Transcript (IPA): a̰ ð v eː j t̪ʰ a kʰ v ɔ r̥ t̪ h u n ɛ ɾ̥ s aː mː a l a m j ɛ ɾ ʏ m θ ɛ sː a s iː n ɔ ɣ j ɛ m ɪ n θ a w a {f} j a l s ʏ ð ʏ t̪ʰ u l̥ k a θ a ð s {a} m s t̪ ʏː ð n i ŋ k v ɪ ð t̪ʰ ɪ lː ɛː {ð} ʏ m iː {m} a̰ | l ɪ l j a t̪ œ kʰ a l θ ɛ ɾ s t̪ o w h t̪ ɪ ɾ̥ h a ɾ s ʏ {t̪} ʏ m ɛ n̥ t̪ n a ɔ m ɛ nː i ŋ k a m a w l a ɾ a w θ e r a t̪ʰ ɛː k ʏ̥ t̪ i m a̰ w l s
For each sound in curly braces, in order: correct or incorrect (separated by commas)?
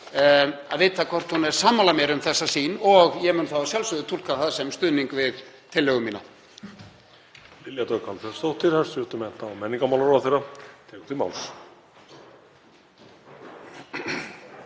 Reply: incorrect, incorrect, incorrect, incorrect, correct